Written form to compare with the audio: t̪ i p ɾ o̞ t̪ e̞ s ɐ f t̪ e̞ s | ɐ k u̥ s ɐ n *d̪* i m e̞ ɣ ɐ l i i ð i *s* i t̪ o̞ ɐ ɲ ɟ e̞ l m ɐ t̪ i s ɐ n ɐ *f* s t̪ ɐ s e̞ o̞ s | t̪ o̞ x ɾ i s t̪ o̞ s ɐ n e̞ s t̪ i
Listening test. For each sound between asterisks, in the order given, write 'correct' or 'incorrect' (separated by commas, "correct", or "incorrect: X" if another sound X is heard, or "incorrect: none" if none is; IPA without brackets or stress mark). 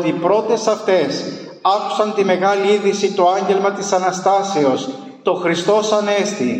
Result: incorrect: t̪, correct, incorrect: none